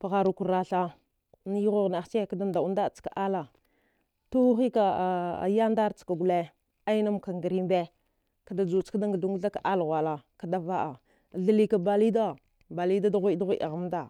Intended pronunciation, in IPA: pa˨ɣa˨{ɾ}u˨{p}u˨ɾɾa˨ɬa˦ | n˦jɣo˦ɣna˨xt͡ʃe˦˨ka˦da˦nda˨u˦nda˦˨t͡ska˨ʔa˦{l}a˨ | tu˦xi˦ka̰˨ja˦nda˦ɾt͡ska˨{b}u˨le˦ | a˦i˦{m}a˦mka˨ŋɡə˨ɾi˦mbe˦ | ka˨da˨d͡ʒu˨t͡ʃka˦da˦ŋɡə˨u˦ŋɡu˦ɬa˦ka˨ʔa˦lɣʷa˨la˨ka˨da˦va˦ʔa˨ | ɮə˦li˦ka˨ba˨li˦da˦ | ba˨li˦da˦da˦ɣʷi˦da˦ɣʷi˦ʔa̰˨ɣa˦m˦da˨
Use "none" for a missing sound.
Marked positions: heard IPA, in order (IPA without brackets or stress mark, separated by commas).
ɾ, k, l, ɡ, n